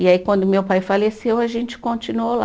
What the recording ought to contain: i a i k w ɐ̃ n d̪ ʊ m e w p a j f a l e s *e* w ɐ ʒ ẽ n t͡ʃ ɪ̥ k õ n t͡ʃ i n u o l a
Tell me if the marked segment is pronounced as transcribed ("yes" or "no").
yes